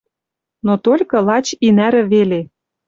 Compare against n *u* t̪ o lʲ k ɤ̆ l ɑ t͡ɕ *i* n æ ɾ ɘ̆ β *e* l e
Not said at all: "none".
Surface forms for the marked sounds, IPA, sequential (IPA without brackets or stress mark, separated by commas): o, i, e